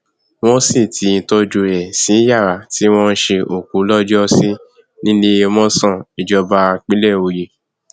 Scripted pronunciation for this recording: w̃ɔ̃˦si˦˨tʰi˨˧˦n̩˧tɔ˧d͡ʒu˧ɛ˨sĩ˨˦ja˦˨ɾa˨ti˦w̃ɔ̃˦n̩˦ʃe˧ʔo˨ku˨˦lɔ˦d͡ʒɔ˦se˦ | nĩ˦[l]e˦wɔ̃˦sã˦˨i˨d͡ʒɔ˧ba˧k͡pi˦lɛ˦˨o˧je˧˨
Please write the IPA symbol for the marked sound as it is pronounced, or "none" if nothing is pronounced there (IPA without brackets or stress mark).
l